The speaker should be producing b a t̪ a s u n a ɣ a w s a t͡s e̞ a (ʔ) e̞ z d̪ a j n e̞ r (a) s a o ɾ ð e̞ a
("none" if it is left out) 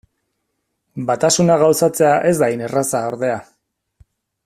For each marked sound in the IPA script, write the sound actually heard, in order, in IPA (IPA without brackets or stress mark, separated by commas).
ʔ, a